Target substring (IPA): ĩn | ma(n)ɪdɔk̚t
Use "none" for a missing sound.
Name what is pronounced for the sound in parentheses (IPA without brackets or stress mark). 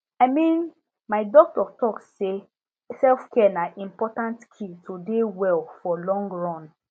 none